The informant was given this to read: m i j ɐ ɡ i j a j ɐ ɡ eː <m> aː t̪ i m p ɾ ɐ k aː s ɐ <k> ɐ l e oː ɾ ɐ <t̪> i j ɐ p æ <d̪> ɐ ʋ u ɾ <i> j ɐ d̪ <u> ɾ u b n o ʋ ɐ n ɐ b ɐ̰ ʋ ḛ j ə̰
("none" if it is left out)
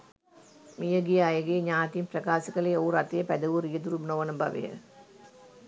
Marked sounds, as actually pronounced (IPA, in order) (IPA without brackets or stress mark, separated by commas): ɲ, k, t̪, d̪, i, u